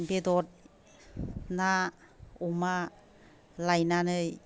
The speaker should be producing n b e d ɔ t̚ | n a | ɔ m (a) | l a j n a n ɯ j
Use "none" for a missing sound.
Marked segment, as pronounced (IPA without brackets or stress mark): a